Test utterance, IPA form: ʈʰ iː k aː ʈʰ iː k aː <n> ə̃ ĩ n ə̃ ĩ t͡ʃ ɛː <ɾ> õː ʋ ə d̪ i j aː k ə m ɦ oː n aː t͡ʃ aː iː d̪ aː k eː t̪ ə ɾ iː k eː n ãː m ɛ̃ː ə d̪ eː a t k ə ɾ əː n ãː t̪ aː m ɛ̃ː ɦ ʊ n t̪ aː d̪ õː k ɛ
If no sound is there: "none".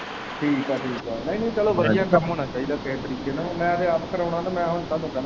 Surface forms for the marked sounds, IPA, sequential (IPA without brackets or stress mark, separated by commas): n, l